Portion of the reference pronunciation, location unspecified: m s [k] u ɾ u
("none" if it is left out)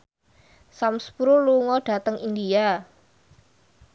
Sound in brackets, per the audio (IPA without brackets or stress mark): p